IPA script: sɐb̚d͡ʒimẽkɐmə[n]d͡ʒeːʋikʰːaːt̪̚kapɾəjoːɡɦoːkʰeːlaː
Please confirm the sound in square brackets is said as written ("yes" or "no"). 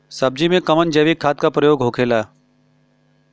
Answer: yes